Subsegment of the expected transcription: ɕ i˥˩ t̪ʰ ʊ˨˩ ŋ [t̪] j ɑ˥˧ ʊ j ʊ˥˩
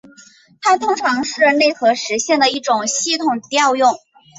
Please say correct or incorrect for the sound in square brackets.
correct